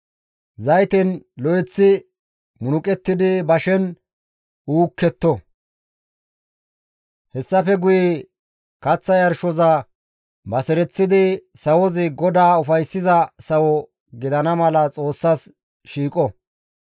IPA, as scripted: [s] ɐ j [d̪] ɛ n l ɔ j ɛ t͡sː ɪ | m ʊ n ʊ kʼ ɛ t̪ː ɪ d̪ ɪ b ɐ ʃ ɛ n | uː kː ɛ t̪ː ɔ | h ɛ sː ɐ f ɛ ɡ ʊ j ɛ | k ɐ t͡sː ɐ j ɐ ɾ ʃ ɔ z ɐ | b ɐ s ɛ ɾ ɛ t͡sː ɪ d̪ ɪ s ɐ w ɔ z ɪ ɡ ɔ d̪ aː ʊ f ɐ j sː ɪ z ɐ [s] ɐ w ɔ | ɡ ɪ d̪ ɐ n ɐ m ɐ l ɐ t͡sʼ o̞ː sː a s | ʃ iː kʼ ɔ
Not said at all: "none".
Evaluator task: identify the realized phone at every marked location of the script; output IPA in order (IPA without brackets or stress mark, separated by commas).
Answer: z, t̪, s